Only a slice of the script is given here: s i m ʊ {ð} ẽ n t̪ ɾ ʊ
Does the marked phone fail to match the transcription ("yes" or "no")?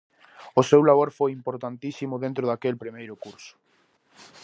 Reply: no